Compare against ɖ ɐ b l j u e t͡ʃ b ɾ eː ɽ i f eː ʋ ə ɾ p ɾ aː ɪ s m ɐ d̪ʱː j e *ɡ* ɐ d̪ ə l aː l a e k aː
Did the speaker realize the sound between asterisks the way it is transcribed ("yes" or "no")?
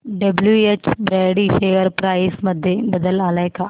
no